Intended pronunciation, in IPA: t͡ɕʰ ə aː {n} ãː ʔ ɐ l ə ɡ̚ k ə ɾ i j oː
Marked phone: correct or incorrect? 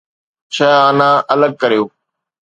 correct